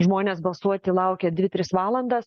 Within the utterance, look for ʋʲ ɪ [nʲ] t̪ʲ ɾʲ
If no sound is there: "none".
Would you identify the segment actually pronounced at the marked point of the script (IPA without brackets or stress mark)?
none